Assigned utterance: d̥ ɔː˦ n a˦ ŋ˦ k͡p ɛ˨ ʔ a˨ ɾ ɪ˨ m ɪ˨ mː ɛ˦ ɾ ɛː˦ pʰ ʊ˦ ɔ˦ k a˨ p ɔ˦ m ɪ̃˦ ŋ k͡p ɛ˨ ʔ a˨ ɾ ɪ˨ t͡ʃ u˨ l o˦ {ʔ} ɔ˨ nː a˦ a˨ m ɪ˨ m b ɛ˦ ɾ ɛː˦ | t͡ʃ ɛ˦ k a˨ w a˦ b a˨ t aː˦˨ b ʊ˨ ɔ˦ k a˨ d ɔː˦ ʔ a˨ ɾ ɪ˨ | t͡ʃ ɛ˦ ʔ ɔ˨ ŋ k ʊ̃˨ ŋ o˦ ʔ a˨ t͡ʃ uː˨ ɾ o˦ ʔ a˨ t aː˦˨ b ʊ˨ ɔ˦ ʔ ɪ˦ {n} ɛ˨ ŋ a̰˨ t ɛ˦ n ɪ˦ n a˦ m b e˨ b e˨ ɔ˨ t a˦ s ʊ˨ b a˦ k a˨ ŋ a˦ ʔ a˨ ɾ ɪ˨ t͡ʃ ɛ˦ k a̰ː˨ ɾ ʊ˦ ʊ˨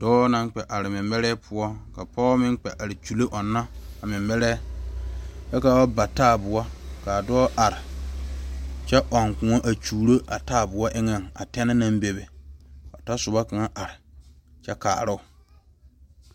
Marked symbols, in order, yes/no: yes, no

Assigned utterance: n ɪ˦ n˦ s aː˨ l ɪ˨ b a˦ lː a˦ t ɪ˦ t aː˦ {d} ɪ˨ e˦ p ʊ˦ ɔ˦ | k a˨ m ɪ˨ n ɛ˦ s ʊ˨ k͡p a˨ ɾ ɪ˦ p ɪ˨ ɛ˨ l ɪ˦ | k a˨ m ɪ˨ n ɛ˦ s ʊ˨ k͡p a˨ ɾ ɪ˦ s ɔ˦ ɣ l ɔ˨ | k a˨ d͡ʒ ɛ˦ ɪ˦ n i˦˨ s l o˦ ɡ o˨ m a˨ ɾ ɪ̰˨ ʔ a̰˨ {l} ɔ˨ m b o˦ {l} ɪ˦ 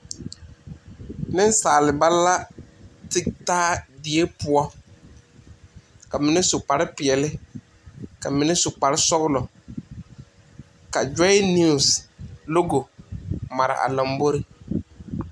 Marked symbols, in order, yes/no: yes, yes, no

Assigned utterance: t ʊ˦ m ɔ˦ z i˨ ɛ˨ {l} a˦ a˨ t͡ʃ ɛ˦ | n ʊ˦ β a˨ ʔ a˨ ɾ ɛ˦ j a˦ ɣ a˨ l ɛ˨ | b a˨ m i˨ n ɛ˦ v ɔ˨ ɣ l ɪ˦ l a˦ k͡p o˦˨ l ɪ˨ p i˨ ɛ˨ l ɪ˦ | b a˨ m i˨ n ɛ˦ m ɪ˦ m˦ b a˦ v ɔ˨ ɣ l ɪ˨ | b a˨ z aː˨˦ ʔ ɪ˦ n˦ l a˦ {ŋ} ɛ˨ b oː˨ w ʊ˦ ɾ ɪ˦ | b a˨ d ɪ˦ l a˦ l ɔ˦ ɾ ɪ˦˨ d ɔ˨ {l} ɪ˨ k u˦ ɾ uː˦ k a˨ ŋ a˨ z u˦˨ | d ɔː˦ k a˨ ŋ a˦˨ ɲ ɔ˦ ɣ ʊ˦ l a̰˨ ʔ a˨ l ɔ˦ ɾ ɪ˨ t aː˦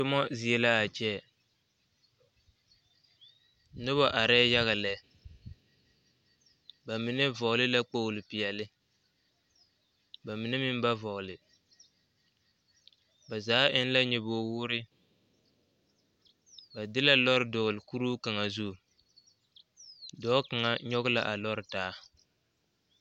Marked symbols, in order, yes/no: yes, no, yes

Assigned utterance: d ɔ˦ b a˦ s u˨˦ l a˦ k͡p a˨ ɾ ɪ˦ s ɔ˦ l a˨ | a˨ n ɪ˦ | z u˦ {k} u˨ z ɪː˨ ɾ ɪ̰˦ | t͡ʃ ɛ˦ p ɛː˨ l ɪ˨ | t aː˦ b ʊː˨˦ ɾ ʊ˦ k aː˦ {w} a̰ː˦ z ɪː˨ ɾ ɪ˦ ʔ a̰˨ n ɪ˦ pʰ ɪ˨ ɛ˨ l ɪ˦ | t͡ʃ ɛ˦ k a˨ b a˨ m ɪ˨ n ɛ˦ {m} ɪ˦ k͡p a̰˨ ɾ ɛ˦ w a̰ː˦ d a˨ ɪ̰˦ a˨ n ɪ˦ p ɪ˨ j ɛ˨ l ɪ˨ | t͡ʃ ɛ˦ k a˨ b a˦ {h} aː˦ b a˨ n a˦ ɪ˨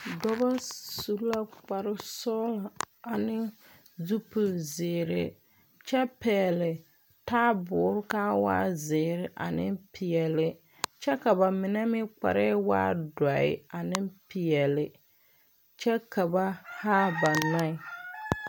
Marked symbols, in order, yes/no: no, yes, yes, yes

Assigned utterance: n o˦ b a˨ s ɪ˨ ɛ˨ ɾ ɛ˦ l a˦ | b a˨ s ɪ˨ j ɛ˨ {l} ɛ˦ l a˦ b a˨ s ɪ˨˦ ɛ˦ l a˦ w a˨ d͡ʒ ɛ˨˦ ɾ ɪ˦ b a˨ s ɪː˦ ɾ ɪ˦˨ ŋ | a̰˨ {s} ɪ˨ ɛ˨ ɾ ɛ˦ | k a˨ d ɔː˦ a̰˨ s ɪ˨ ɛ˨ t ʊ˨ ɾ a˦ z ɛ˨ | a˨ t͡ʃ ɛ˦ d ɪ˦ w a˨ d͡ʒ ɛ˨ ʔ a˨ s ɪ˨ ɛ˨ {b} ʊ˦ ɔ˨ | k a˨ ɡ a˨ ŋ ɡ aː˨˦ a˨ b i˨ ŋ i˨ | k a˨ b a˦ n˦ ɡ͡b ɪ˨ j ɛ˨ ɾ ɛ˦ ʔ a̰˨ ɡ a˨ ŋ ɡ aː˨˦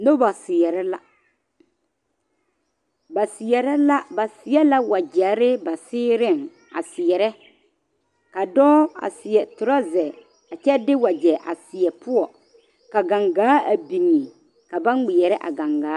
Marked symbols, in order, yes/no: no, yes, no

